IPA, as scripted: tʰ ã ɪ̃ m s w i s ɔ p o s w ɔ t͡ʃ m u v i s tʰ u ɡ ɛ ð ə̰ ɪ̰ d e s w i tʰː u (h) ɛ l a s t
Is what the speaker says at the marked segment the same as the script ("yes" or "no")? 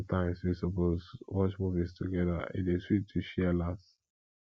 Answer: no